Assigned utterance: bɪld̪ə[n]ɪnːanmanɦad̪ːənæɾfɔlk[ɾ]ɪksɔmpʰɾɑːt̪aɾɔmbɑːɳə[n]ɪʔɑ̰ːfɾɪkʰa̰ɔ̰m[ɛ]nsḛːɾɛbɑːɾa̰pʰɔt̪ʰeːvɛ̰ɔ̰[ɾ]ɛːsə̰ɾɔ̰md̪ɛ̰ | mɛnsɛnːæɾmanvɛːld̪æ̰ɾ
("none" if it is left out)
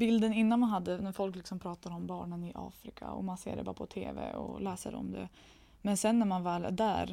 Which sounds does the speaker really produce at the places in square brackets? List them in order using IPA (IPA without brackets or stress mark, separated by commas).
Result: n, l, n, a, l